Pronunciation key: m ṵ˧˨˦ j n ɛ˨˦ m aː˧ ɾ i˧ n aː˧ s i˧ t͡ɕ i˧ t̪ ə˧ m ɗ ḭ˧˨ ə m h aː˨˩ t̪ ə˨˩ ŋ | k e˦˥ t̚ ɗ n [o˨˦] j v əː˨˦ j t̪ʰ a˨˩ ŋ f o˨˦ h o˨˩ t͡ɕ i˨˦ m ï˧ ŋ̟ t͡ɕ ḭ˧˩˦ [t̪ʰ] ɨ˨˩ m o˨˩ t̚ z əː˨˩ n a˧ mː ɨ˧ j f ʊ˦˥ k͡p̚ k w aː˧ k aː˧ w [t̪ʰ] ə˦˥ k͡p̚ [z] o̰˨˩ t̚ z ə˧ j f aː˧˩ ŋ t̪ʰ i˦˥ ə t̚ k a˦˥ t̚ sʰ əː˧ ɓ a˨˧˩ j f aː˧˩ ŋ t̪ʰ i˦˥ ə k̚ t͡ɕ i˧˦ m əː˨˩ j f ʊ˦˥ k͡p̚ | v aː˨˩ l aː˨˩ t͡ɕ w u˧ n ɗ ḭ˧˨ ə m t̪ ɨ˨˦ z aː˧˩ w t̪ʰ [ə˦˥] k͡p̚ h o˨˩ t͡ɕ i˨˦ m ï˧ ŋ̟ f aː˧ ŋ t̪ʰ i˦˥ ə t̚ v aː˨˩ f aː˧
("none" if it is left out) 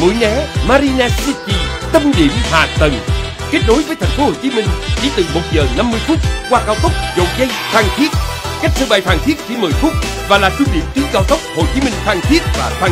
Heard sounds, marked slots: o˨˦, t̪, t̪, z, ə˦˥

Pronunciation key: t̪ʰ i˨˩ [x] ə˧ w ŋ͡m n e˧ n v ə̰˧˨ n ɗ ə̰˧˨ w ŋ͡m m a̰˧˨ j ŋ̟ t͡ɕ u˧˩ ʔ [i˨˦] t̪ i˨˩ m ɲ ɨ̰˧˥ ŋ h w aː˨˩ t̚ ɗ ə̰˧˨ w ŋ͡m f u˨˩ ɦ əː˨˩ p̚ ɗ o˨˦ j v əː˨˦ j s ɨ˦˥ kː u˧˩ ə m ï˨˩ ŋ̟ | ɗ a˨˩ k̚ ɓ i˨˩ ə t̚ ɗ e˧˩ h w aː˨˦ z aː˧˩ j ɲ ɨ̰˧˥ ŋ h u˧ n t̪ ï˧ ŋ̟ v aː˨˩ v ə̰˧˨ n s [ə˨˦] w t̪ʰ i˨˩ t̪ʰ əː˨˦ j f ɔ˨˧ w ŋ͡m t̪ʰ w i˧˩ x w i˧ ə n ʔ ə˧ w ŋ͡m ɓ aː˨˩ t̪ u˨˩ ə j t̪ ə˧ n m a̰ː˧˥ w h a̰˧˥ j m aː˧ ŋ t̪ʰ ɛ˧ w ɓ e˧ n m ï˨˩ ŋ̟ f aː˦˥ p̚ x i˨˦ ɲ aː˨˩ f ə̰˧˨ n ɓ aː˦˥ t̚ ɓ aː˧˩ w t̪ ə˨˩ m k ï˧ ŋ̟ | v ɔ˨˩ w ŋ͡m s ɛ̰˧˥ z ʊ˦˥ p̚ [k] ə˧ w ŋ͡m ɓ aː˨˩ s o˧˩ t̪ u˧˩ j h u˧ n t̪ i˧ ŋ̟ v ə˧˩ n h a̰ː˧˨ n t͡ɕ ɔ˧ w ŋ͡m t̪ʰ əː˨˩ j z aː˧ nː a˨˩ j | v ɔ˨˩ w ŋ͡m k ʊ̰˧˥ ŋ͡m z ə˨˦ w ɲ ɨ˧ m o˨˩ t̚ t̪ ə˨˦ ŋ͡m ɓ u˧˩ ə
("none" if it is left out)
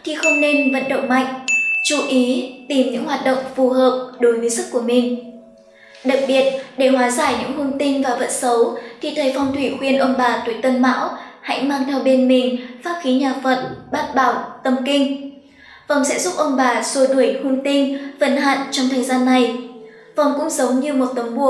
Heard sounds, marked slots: x, i˨˦, ə˨˦, ʔ

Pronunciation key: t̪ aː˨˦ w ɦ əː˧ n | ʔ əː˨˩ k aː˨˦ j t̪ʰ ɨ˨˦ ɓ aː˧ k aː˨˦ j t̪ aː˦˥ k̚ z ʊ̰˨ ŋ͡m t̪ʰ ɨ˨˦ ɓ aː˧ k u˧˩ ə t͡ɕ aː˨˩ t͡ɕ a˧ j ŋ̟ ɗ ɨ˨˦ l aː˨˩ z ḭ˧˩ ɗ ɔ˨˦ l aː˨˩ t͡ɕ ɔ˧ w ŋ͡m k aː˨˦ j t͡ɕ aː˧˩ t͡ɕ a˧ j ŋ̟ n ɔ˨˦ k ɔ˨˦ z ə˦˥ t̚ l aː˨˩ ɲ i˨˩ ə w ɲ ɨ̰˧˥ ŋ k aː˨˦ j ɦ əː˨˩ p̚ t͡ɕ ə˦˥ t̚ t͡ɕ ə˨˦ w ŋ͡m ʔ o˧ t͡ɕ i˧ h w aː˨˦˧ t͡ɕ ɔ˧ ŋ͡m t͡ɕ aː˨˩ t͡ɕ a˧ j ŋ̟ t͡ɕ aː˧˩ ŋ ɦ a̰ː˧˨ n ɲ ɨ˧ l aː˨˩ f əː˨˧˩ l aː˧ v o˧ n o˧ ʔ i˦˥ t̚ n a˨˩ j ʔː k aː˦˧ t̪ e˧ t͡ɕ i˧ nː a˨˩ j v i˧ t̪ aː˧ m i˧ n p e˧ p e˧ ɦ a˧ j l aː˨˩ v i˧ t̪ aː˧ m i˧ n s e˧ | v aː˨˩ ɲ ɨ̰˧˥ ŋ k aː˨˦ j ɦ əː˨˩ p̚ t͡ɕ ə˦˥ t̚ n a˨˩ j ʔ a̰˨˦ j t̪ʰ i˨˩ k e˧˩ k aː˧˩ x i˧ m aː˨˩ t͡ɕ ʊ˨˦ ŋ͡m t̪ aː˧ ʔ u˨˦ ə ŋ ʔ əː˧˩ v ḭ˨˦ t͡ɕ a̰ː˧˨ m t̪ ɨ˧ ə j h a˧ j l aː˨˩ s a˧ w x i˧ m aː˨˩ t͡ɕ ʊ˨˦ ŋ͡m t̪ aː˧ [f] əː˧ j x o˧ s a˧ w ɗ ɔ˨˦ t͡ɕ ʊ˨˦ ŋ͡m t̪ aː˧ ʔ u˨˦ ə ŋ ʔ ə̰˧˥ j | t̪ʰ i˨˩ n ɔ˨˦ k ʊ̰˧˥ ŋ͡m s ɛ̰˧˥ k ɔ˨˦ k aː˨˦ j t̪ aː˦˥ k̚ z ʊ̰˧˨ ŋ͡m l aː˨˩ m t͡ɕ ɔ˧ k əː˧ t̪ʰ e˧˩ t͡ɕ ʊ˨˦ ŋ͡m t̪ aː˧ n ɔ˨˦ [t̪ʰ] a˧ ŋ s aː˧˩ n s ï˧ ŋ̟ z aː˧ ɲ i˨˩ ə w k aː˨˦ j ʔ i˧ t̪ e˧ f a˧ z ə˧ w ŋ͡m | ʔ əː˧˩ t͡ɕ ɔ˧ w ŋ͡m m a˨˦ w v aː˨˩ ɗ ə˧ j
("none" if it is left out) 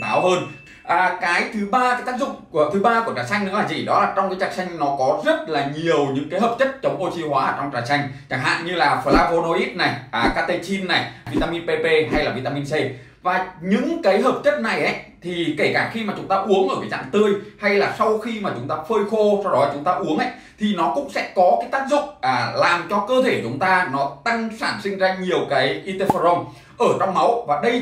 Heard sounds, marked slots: f, t̪

